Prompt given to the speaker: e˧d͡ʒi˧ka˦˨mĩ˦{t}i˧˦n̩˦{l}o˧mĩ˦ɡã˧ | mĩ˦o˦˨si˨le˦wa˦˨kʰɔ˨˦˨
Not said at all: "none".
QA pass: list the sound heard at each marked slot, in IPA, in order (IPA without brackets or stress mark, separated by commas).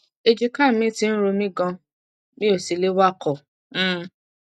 t, ɾ